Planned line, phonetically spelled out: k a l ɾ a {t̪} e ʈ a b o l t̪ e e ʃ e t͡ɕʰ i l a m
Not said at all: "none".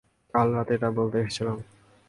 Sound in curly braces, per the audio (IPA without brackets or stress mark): t̪